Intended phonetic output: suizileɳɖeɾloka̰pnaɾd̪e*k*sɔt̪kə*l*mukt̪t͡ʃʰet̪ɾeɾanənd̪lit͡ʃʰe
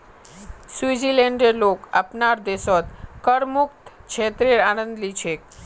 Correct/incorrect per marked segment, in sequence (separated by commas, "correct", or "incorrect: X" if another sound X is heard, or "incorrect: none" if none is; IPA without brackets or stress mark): incorrect: none, incorrect: ɾ